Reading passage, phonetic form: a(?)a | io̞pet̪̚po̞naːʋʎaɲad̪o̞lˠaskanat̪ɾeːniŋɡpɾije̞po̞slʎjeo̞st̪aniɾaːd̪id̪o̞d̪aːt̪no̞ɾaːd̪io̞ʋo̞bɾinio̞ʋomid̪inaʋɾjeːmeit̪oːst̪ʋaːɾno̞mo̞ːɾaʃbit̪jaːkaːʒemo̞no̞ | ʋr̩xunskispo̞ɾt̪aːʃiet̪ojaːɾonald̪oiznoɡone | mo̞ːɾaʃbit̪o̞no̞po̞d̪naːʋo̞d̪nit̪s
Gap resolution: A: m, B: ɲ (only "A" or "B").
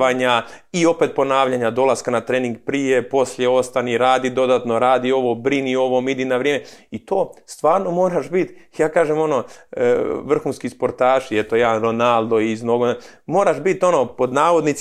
B